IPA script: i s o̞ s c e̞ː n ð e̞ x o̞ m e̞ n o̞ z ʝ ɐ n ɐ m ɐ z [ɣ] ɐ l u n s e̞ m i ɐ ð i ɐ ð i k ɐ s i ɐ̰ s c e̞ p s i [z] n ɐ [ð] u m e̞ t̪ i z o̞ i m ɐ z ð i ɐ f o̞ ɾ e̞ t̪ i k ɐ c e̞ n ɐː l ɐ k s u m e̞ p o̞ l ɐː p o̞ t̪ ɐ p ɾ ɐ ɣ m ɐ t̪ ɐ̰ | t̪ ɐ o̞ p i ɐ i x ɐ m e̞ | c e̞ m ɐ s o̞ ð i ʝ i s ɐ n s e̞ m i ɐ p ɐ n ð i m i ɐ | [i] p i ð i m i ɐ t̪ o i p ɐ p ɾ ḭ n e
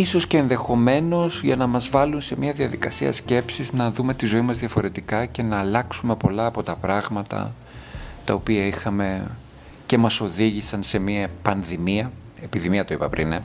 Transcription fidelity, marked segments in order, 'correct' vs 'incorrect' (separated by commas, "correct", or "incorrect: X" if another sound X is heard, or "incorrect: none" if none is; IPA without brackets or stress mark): incorrect: v, correct, correct, incorrect: e